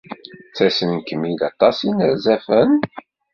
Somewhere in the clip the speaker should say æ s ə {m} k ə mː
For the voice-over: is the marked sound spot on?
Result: no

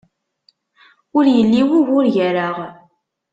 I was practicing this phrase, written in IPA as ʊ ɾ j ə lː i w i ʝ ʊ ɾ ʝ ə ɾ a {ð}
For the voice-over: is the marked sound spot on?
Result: no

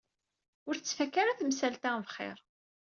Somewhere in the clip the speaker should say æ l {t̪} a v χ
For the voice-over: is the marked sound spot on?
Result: yes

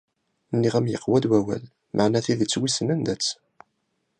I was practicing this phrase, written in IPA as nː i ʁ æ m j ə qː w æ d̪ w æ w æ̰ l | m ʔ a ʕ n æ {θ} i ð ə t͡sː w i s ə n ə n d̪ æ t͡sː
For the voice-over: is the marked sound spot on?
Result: yes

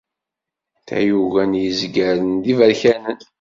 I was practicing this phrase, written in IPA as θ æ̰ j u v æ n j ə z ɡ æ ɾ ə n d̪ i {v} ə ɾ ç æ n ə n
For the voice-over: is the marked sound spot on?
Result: yes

